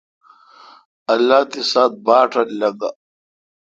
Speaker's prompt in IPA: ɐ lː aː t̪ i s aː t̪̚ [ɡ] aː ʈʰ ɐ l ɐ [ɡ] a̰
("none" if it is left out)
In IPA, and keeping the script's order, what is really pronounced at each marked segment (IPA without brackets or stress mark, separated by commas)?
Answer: b, ɡ